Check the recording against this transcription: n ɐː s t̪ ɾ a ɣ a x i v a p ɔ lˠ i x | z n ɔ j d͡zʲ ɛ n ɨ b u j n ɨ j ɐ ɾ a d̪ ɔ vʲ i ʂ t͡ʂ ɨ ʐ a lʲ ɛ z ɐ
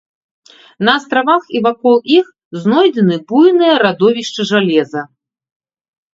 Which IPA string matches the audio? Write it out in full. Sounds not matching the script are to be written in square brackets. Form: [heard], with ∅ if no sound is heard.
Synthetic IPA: n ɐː s t̪ ɾ a [v] a x i v a [k] ɔ lˠ i x | z n ɔ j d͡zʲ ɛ n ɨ b u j n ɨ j ɐ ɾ a d̪ ɔ vʲ i ʂ t͡ʂ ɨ ʐ a lʲ ɛ z ɐ